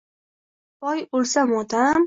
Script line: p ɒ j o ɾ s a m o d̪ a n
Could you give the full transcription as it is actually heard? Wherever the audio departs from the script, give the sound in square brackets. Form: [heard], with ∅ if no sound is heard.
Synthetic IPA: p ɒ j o [l] s a m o [t̪] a [m]